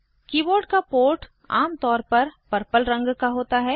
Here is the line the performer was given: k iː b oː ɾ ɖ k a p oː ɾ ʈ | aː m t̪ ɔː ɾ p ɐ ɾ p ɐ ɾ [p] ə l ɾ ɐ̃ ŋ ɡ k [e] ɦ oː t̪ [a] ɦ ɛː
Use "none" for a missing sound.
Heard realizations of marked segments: p, a, a

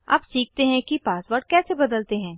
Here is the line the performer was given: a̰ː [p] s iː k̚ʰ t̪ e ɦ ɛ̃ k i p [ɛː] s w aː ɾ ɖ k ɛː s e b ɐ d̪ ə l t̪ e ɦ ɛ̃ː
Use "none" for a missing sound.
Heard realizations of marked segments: p, aː

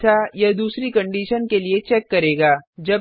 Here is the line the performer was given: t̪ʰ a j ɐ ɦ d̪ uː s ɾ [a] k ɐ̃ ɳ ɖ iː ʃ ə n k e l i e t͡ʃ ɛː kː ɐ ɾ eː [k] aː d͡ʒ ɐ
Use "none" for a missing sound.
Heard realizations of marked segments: i, ɡ

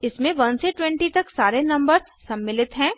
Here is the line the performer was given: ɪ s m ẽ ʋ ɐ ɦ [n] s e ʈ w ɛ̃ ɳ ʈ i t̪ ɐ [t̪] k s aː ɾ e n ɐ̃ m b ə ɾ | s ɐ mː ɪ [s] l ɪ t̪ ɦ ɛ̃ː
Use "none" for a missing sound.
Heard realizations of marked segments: n, none, none

